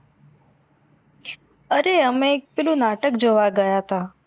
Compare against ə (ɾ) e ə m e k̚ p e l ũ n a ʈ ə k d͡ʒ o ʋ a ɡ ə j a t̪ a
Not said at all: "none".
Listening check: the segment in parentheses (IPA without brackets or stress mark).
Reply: ɾ